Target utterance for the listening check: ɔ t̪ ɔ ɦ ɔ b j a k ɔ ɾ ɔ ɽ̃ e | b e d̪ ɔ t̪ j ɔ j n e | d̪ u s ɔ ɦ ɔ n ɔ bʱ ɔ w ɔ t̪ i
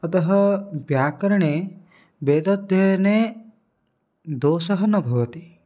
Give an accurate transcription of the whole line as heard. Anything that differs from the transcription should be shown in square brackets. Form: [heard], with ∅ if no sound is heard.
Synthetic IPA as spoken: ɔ t̪ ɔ ɦ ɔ b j a k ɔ ɾ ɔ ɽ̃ e | b e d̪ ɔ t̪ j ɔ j n e | d̪ [o] s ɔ ɦ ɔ n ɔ bʱ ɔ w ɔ t̪ i

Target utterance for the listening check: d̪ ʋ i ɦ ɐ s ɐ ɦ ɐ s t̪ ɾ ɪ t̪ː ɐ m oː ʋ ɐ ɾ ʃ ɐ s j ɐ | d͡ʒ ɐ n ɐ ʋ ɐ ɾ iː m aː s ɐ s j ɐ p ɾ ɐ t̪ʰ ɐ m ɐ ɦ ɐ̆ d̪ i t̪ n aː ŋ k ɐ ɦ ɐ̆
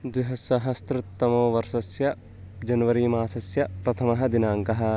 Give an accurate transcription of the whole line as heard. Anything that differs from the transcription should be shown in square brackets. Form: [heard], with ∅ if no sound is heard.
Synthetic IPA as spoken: d̪ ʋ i ɦ ɐ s ɐ ɦ ɐ s t̪ ɾ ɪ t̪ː ɐ m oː ʋ ɐ ɾ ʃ ɐ s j ɐ | d͡ʒ ɐ n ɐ ʋ ɐ ɾ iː m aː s ɐ s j ɐ p ɾ ɐ t̪ʰ ɐ m ɐ ɦ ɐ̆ d̪ i [∅] n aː ŋ k ɐ ɦ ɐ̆

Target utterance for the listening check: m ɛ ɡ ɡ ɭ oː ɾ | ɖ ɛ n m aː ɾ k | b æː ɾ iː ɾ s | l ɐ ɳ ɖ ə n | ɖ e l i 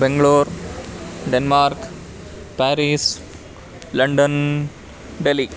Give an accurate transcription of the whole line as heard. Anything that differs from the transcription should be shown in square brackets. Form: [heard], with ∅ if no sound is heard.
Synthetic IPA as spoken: [b] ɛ [ŋ] ɡ ɭ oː ɾ | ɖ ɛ n m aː ɾ k | [p] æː ɾ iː [∅] s | l ɐ ɳ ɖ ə n | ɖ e l i

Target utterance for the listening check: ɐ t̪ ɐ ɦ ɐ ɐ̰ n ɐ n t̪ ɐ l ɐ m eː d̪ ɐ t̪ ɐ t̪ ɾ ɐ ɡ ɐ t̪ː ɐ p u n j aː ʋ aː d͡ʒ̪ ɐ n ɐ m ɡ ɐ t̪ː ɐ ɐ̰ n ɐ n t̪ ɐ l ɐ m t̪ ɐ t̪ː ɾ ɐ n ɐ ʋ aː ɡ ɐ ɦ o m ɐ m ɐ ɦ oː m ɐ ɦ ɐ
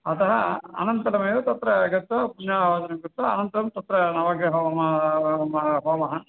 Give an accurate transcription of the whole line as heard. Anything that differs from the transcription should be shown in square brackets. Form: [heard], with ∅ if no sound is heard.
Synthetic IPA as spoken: ɐ t̪ ɐ ɦ ɐ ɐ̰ n ɐ n t̪ ɐ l ɐ m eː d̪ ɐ t̪ ɐ t̪ ɾ ɐ ɡ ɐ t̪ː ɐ p u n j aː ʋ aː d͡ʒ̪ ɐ n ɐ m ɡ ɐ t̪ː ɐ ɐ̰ n ɐ n t̪ ɐ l ɐ m t̪ ɐ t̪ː ɾ ɐ n ɐ ʋ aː ɡ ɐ ɦ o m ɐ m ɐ ɦ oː m ɐ ɦ ɐ

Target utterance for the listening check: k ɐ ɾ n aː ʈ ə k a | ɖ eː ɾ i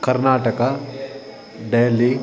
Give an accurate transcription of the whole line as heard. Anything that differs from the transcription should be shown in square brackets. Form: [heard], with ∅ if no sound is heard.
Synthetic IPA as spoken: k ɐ ɾ n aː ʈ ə k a | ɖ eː [l] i

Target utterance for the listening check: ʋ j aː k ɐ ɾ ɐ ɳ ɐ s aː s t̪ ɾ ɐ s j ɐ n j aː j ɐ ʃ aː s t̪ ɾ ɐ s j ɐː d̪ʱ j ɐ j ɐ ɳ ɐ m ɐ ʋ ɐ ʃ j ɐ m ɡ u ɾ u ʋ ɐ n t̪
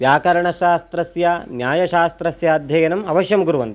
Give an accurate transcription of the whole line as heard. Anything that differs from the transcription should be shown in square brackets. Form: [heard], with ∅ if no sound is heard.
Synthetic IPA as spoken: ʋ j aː k ɐ ɾ ɐ ɳ ɐ [ʃ] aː s t̪ ɾ ɐ s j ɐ n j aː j ɐ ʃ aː s t̪ ɾ ɐ s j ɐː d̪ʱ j ɐ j ɐ [n] ɐ m ɐ ʋ ɐ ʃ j ɐ m ɡ u ɾ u ʋ ɐ n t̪

